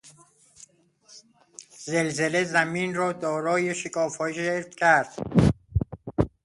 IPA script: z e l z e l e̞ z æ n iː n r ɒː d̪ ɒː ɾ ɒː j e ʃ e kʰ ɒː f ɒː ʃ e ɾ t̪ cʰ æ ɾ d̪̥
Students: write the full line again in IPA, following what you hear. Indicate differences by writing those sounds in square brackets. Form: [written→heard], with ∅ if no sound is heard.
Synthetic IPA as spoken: z e l z e l e̞ z æ [n→m] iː n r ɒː d̪ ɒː ɾ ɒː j e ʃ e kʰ ɒː f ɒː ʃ e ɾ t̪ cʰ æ ɾ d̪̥

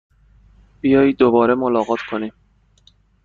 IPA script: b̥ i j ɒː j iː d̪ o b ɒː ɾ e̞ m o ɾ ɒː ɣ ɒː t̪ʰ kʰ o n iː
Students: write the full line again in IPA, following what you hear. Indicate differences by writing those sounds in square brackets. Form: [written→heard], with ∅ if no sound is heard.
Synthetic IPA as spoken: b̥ i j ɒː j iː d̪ o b ɒː ɾ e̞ m o [ɾ→l] ɒː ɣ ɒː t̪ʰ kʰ o n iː

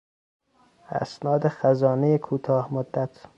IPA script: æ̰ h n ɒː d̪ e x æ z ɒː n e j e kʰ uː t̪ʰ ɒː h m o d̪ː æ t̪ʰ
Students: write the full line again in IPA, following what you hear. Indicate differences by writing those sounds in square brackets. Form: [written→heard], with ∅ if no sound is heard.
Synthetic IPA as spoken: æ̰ [h→s] n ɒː d̪ e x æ z ɒː n e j e kʰ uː t̪ʰ ɒː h m o d̪ː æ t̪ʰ

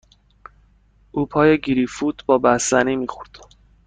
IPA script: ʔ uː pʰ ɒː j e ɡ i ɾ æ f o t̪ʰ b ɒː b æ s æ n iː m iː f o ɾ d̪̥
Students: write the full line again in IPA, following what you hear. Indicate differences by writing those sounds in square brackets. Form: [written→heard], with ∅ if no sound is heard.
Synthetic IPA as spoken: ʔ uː pʰ ɒː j e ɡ i ɾ [æ→i] f [o→u] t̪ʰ b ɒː b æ s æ n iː m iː [f→x] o ɾ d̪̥

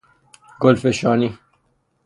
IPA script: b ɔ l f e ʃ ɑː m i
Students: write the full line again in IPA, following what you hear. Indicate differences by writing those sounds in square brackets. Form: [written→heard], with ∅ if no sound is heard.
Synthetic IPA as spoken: [b→ɡ] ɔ l f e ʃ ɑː [m→n] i

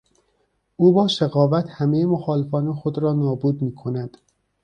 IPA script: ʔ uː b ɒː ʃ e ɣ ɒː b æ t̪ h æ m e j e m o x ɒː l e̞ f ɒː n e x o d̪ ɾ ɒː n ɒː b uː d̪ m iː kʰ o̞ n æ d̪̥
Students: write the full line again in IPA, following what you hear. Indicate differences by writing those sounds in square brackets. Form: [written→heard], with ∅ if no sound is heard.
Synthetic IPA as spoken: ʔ uː b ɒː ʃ e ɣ ɒː [b→v] æ t̪ h æ m e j e m o x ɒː l e̞ f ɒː n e x o d̪ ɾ ɒː n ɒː b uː d̪ m iː kʰ o̞ n æ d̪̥

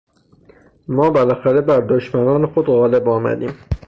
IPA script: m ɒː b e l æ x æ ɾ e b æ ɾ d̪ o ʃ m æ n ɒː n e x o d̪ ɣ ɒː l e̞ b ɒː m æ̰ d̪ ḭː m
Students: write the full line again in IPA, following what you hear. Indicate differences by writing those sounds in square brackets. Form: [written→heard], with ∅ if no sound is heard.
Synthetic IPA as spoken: m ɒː b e l æ x æ ɾ e b æ ɾ d̪ o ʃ m æ n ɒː n e x o d̪ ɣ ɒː l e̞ b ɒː m æ̰ d̪ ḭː m

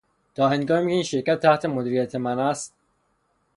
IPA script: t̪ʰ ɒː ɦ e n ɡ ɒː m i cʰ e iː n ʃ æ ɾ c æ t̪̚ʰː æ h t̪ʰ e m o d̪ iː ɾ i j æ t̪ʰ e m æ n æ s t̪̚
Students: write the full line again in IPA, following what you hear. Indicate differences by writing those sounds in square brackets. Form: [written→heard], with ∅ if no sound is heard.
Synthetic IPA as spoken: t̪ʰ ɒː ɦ e n ɡ ɒː m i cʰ e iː n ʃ [æ→e] ɾ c æ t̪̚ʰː æ h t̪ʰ e m o d̪ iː ɾ i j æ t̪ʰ e m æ n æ s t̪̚

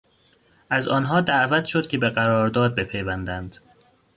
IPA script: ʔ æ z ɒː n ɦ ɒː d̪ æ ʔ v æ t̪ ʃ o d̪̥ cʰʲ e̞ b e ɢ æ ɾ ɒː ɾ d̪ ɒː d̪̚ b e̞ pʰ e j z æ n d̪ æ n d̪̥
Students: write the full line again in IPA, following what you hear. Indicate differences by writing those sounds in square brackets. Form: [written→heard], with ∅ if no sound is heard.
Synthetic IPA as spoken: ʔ æ z ɒː n ɦ ɒː d̪ æ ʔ v æ t̪ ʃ o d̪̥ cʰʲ e̞ b e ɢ æ ɾ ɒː ɾ d̪ ɒː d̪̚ b e̞ pʰ e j [z→v] æ n d̪ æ n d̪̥

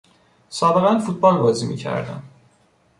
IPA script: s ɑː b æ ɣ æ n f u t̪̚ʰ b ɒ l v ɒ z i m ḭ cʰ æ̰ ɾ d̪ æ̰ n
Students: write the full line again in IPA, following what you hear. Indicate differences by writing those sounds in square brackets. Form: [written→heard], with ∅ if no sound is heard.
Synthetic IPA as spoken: s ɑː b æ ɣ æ n f u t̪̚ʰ b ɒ l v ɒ z i m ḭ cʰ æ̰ ɾ d̪ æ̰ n

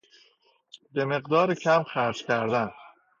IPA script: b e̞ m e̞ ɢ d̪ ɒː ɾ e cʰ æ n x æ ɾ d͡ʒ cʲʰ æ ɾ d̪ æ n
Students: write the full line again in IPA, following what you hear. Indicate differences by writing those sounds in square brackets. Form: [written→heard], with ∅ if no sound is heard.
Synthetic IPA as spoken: b e̞ m e̞ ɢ d̪ ɒː ɾ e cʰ æ [n→m] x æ ɾ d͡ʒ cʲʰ æ ɾ d̪ æ n

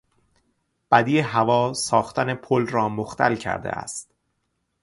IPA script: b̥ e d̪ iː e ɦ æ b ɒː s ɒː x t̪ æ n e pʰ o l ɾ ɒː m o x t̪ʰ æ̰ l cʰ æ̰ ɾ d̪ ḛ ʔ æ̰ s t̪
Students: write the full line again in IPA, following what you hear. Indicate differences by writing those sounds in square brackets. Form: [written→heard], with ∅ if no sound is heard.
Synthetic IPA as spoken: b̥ [e→æ] d̪ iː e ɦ æ [b→v] ɒː s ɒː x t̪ æ n e pʰ o l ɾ ɒː m o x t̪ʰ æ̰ l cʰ æ̰ ɾ d̪ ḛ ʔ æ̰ s t̪

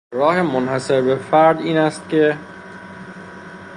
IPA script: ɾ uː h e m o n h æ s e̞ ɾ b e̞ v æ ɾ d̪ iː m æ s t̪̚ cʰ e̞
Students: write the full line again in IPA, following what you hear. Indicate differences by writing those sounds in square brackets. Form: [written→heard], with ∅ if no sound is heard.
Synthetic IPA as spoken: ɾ [uː→ɒː] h e m o n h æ s e̞ ɾ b e̞ [v→f] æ ɾ d̪ iː [m→n] æ s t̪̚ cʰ e̞

